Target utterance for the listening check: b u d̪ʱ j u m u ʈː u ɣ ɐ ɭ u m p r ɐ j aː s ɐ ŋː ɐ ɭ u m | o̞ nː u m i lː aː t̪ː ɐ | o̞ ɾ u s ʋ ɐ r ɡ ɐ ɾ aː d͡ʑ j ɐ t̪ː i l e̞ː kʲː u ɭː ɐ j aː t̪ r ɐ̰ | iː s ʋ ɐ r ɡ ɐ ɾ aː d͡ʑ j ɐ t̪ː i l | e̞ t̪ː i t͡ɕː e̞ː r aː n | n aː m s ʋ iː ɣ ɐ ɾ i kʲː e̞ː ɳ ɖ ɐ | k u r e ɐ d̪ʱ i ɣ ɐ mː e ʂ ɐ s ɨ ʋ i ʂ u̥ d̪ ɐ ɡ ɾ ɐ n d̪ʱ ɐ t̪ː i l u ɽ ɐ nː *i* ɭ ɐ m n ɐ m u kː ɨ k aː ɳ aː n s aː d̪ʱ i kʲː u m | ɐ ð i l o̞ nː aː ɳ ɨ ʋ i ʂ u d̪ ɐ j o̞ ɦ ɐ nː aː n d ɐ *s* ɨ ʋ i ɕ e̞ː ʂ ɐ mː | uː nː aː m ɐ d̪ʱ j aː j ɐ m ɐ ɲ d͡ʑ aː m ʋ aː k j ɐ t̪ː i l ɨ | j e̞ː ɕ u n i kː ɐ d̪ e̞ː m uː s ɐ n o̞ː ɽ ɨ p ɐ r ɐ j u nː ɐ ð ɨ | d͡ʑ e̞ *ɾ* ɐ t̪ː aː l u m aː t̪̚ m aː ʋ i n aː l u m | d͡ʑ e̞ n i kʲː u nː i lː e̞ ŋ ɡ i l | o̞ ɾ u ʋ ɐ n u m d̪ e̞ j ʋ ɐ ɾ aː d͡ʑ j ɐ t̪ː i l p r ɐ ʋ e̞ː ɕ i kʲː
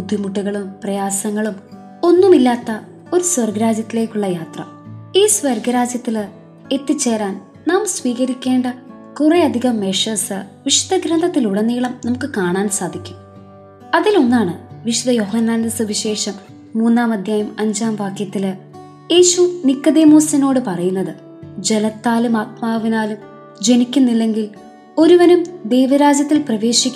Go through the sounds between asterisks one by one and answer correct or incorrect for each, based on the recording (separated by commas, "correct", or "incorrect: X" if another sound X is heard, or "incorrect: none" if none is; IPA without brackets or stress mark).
incorrect: iː, correct, incorrect: l